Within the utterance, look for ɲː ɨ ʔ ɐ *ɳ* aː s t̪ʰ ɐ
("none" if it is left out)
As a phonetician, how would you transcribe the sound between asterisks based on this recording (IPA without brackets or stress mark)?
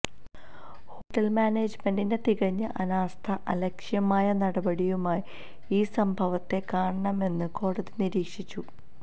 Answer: n